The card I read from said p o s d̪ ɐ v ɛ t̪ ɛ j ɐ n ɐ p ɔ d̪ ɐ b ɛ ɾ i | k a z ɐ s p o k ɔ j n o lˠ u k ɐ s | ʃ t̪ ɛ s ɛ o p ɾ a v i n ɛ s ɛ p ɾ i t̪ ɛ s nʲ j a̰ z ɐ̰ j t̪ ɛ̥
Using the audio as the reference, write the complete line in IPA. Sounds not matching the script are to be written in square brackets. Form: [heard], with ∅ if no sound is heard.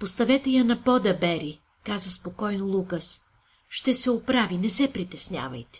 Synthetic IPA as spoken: p o s [t̪] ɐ v ɛ t̪ ɛ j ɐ n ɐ p ɔ d̪ ɐ b ɛ ɾ i | k a z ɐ s p o k ɔ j n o lˠ u k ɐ s | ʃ t̪ ɛ s ɛ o p ɾ a v i n ɛ s ɛ p ɾ i t̪ ɛ s nʲ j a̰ [v] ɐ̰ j t̪ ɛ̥